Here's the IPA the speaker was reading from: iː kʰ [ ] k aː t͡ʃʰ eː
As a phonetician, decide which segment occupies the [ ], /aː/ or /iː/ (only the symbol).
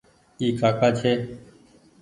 aː